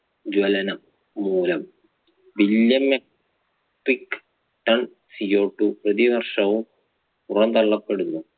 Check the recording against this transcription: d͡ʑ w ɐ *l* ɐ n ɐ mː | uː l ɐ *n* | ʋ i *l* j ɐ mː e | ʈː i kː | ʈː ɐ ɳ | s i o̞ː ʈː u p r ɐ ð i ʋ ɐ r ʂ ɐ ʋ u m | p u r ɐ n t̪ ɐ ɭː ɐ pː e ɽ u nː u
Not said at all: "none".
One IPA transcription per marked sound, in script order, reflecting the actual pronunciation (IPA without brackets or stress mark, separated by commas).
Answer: l, m, l